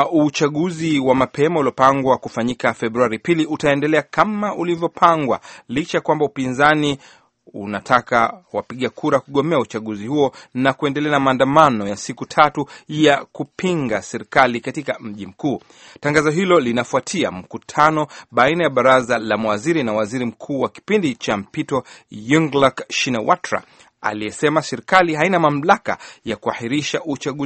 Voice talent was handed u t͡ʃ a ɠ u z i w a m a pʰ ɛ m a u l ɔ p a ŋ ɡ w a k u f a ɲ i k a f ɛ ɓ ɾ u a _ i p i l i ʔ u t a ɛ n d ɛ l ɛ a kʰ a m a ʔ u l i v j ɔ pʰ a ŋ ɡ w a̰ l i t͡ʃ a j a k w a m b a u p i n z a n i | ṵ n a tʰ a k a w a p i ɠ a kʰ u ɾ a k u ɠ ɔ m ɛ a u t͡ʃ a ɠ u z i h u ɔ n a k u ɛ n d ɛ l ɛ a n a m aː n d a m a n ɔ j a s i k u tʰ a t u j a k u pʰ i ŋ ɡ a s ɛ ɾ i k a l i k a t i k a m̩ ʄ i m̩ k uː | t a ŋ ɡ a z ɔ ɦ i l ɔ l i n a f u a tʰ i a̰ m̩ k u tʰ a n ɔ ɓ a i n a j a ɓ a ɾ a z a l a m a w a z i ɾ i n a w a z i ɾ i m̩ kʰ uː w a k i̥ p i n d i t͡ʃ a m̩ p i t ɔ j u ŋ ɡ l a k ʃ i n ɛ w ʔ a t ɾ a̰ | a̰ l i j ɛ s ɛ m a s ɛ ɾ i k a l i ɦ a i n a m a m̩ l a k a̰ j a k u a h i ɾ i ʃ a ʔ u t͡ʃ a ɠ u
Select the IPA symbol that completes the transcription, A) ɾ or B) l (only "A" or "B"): A